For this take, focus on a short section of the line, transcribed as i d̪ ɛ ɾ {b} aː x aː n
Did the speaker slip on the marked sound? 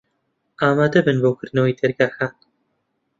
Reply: yes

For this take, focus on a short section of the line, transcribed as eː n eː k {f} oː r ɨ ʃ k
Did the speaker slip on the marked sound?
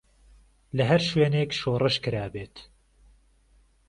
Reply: yes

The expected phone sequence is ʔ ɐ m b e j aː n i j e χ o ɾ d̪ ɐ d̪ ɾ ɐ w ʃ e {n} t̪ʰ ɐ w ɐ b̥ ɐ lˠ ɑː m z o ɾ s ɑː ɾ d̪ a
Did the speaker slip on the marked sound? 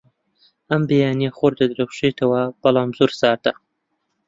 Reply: yes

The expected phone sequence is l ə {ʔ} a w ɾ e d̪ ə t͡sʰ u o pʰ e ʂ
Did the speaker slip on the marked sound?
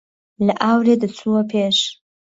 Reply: no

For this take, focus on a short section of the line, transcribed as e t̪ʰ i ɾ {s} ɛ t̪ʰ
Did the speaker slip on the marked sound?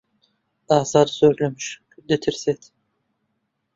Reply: no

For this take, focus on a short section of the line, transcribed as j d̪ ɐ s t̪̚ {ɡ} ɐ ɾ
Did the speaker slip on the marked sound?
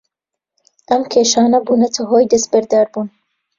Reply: yes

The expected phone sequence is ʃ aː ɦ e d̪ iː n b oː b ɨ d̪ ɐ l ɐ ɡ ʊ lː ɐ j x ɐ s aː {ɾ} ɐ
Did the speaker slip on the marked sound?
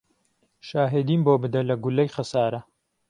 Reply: no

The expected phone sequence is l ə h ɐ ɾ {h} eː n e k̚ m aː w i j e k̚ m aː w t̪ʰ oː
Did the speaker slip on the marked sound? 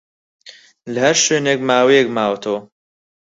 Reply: yes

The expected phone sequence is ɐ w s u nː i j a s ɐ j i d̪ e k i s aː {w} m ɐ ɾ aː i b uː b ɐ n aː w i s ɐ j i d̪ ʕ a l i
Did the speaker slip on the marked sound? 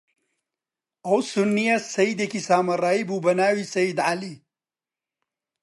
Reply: yes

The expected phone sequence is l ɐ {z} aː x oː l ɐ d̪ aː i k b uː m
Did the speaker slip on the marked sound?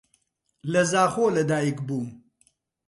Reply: no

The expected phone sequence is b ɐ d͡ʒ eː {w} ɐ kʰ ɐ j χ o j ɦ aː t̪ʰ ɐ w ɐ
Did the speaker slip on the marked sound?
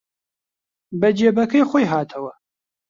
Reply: yes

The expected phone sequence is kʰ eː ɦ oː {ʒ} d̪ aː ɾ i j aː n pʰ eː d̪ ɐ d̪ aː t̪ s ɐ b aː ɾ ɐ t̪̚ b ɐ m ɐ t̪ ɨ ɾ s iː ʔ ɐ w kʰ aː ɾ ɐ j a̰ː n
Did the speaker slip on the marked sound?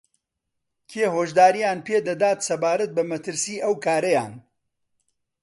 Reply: no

